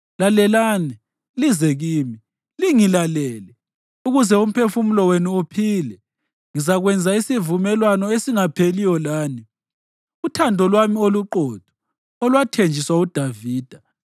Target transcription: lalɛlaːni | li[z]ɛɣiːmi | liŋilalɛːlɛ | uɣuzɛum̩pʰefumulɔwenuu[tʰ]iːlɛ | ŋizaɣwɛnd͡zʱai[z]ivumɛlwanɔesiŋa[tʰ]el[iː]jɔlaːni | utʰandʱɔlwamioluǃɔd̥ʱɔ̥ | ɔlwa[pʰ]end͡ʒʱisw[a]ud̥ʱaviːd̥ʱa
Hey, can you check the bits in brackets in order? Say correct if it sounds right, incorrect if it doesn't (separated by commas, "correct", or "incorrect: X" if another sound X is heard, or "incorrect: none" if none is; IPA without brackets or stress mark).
correct, incorrect: pʰ, incorrect: s, incorrect: pʰ, incorrect: i, incorrect: tʰ, correct